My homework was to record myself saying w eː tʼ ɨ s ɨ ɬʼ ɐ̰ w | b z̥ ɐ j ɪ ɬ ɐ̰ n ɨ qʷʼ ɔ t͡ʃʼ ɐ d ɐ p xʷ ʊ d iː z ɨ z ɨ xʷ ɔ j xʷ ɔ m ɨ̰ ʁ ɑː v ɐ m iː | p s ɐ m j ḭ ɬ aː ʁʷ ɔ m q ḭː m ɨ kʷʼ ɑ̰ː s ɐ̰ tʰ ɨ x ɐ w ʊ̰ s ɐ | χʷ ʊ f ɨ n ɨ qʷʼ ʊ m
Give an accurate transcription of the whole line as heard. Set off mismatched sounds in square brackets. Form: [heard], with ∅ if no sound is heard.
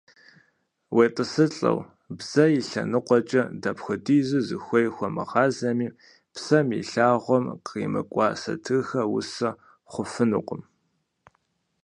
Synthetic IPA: w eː tʼ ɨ s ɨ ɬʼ ɐ̰ w | b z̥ ɐ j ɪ ɬ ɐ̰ n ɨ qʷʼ ɔ t͡ʃʼ ɐ d ɐ p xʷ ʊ d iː z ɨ z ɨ xʷ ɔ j xʷ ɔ m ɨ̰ ʁ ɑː [z] ɐ m iː | p s ɐ m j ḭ ɬ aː ʁʷ ɔ m q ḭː m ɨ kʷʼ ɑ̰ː s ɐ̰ tʰ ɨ x ɐ w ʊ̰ s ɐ | χʷ ʊ f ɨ n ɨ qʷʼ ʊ m